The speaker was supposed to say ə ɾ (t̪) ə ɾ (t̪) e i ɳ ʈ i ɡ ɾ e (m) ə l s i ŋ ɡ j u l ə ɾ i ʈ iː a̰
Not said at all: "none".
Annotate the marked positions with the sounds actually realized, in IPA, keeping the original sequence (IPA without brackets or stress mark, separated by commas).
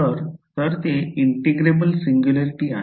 t̪, t̪, b